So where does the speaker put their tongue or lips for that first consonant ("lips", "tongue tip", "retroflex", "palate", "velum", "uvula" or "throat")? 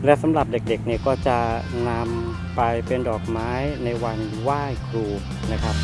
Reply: tongue tip